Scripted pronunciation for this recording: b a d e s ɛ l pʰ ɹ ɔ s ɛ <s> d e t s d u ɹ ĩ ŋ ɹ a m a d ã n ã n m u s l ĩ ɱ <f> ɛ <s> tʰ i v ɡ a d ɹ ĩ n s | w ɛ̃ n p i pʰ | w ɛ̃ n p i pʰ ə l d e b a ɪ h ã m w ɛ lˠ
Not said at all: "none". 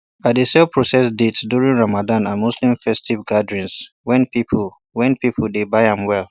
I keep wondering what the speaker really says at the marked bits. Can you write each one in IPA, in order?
s, f, s

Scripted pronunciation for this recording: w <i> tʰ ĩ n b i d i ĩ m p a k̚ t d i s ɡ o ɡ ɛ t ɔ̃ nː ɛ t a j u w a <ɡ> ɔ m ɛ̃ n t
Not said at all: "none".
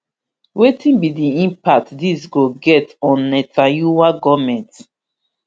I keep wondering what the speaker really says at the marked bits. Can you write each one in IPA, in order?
e, ɡ

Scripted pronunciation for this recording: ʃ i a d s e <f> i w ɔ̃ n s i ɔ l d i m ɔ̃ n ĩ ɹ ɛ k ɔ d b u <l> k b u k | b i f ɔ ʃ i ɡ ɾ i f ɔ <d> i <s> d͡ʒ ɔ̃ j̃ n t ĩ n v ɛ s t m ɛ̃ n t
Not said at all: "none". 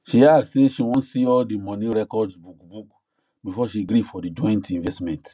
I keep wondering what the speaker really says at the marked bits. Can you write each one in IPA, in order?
ʃ, none, d, none

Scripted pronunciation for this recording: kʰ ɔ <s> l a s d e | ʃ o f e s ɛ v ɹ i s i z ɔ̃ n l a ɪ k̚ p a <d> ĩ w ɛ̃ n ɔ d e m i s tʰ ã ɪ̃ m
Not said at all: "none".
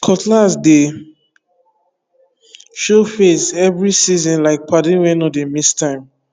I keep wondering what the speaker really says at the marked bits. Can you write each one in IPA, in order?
t, d

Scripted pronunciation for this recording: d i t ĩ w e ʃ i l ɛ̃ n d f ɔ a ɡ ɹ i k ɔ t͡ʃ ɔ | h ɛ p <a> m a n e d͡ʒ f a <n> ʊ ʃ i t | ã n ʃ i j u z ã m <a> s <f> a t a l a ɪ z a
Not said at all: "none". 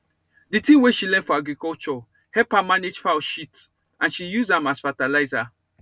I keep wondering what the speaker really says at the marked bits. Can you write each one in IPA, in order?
a, none, a, f

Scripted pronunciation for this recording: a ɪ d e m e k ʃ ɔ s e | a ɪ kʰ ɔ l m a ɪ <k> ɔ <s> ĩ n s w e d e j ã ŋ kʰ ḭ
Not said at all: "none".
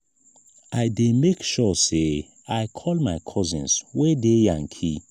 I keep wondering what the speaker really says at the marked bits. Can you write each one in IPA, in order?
kʰ, z

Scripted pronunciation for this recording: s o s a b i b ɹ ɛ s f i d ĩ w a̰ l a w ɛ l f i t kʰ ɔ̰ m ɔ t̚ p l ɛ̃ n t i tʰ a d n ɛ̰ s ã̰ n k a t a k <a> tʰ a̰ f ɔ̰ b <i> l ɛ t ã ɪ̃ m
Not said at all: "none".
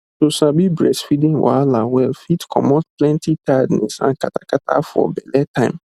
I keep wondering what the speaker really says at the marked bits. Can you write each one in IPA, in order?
a, ɛ

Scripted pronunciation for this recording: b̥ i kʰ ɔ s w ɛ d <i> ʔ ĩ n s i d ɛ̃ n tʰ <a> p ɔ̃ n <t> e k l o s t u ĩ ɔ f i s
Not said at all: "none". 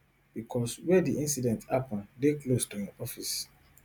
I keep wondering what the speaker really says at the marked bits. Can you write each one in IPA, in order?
i, a, d

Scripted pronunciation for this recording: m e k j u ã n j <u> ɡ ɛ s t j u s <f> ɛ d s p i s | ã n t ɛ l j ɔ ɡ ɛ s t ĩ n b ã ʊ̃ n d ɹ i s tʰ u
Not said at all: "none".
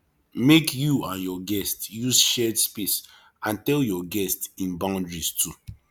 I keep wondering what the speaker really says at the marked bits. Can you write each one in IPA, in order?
ɔ, ʃ

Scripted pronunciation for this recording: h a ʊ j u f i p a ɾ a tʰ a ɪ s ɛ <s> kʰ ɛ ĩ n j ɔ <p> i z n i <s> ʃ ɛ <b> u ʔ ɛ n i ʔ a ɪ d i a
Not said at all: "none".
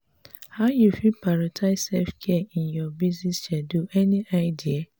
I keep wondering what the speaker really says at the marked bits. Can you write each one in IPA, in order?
f, b, s, d

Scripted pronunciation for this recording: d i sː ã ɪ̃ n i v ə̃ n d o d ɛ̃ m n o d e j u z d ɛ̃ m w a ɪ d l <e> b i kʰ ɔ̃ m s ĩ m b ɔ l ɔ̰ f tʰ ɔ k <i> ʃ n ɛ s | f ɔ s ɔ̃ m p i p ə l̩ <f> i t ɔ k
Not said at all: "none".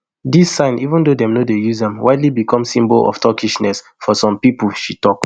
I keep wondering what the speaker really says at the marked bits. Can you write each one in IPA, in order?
i, i, ʃ

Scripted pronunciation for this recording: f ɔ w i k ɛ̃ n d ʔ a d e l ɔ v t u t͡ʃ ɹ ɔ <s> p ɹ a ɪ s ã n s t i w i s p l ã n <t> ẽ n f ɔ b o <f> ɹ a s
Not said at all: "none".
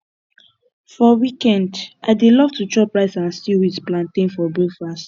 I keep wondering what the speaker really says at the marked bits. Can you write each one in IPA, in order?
none, t, f

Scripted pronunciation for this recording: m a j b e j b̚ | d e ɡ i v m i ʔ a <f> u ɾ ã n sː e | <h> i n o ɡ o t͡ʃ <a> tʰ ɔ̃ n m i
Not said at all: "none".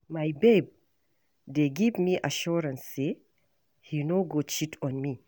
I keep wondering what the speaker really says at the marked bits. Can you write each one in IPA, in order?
ʃ, h, i

